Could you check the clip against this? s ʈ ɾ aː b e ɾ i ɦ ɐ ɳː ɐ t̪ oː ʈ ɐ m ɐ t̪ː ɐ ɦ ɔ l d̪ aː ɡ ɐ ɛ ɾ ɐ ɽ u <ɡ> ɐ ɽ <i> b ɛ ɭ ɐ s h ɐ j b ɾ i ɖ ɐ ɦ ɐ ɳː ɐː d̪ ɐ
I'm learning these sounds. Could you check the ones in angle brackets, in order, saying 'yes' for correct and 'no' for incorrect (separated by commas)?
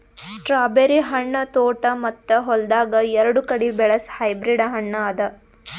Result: no, yes